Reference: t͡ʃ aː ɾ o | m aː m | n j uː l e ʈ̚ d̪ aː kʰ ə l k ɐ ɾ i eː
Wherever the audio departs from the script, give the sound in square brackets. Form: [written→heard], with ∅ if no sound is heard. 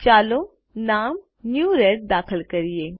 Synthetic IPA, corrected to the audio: t͡ʃ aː [ɾ→l] o | [m→n] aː m | n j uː [l→ɾ] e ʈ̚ d̪ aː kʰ ə l k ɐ ɾ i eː